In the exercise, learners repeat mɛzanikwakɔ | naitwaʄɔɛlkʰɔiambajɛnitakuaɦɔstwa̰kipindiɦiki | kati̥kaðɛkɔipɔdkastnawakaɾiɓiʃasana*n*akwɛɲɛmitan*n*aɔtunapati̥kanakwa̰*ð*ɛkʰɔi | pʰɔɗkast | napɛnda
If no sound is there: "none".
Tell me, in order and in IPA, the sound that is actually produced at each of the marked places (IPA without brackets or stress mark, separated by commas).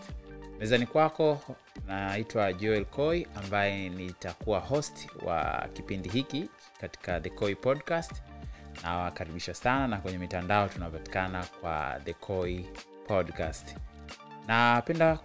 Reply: n, d, ð